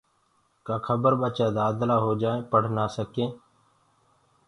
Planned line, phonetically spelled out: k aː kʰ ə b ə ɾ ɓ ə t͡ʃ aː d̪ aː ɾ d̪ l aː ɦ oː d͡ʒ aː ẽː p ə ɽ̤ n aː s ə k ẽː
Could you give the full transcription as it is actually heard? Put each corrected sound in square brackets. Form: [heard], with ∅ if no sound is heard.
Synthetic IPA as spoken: k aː kʰ ə b ə ɾ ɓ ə t͡ʃ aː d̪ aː [∅] d̪ l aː ɦ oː d͡ʒ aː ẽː p ə ɽ̤ n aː s ə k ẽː